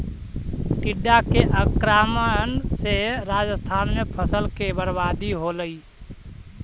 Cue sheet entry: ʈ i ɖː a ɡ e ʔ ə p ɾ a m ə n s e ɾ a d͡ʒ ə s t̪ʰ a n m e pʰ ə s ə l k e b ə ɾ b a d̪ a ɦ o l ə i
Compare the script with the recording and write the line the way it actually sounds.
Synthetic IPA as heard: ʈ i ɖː a k e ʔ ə k ɾ a m ə n s e ɾ a d͡ʒ ə s t̪ʰ a n m e pʰ ə s ə l k e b ə ɾ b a d̪ i ɦ o l ə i